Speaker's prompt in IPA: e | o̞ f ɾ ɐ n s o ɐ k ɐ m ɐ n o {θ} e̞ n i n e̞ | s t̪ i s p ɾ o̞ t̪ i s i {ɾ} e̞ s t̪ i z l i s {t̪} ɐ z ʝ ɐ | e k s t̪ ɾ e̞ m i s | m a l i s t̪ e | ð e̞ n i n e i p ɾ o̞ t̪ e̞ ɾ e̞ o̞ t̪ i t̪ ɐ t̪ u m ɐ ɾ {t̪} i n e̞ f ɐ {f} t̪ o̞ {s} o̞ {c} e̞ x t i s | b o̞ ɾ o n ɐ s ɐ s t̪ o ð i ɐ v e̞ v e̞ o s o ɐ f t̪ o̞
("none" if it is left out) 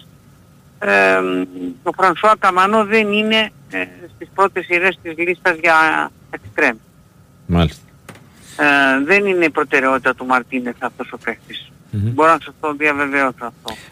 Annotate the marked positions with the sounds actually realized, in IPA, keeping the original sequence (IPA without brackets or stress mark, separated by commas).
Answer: ð, ɾ, t̪, t̪, f, s, p